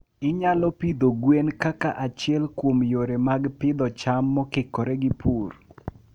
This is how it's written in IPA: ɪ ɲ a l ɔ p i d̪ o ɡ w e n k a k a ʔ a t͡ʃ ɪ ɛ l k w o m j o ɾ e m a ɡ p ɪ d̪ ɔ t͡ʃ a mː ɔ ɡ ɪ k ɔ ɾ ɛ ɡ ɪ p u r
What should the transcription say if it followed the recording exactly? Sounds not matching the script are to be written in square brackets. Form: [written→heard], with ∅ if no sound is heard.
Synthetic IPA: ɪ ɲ a l ɔ p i d̪ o ɡ w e n k a k a ʔ a t͡ʃ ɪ ɛ l k w o m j o ɾ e m a ɡ p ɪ d̪ ɔ t͡ʃ a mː ɔ [ɡ→k] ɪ k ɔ ɾ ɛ ɡ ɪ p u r